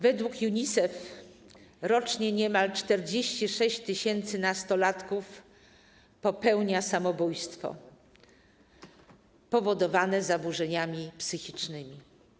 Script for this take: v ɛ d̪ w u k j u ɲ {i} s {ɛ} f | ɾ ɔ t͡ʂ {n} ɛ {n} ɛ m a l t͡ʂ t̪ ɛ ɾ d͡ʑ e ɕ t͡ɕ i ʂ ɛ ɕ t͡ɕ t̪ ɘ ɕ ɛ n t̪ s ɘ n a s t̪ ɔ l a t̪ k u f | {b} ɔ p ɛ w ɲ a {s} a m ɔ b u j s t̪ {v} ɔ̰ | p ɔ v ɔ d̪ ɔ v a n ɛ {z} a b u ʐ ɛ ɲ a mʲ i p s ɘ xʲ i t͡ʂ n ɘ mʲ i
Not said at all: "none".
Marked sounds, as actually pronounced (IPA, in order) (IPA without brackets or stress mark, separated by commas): i, ɛ, ɲ, ɲ, p, s, f, z